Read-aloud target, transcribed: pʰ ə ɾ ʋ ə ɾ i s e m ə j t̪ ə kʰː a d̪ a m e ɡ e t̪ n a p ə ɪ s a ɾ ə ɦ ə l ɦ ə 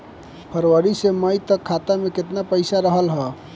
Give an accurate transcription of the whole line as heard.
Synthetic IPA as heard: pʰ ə ɾ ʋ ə ɾ i s e m ə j t̪ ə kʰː a t̪ a m e k e t̪ n a p ə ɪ s a ɾ ə ɦ ə l ɦ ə

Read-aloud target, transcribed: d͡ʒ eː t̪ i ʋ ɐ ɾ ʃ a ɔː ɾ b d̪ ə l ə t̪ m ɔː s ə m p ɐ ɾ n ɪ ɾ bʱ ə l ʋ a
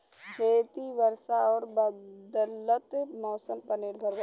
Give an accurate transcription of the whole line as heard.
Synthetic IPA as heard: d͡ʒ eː t̪ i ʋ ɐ ɾ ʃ a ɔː ɾ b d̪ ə l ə t̪ m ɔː s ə m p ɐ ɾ n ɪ ɾ bʱ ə ɾ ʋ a

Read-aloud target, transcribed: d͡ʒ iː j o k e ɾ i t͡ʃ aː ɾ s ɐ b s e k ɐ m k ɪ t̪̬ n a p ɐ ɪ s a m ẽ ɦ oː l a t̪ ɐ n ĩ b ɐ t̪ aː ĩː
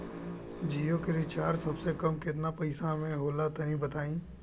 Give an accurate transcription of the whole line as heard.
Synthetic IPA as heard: d͡ʒ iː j o k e ɾ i t͡ʃ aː ɾ s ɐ b s e k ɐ m k ɪ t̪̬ n a p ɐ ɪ s a m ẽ ɦ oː l a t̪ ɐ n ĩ b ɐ t̪ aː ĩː

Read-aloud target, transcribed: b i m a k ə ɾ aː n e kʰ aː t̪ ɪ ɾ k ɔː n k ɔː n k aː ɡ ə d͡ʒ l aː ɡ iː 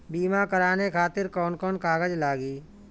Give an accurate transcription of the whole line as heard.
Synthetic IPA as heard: b iː m a k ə ɾ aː n e kʰ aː t̪ ɪ ɾ k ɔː n k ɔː n k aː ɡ ə d͡ʒ l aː ɡ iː

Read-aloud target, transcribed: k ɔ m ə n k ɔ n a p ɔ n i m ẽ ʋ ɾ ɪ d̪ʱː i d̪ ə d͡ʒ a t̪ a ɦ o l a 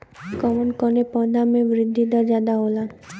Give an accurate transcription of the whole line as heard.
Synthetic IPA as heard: k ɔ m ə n k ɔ n e p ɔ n a m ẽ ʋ ɾ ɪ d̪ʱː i d̪ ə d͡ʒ a d̪ a ɦ o l a

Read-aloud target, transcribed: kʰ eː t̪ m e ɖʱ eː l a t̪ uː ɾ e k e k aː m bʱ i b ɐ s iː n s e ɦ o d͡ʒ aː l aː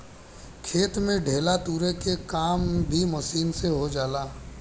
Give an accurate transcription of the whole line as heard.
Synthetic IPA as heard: kʰ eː t̪ m ẽ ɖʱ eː l a t̪ uː ɾ e k e k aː m bʱ i m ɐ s iː n s e ɦ o d͡ʒ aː l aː

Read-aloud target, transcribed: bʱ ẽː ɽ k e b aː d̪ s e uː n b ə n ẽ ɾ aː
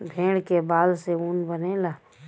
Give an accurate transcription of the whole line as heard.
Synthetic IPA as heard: bʱ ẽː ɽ k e b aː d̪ s e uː n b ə n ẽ l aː

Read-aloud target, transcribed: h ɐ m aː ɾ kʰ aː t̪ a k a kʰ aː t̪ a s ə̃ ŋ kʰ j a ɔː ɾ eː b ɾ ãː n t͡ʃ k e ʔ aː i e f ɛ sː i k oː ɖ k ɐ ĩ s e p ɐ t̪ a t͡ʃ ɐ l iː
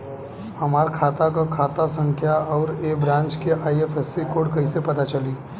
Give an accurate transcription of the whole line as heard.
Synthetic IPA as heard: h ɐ m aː ɾ kʰ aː t̪ a k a kʰ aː t̪ a s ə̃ ŋ kʰ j a ɔː ɾ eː b ɾ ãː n t͡ʃ k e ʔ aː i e f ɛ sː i k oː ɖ k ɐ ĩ s e p ɐ t̪ a t͡ʃ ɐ l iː

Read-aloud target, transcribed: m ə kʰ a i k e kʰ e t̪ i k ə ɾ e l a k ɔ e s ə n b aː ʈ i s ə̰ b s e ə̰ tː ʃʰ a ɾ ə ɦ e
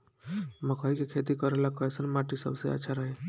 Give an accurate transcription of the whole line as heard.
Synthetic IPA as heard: m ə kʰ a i k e kʰ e t̪ i k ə ɾ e l a k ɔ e s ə n m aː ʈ i s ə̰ b s e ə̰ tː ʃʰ a ɾ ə ɦ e

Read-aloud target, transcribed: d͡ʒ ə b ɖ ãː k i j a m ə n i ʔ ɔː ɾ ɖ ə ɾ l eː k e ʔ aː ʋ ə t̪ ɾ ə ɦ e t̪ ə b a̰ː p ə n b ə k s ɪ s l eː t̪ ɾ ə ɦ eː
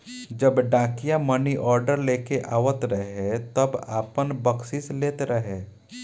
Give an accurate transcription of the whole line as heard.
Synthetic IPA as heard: d͡ʒ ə b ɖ ãː k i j a m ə n i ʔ ɔː ɾ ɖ ə ɾ l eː k e ʔ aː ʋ ə t̪ ɾ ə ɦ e t̪ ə b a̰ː p ə n b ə k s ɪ s l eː t̪ ɾ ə ɦ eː

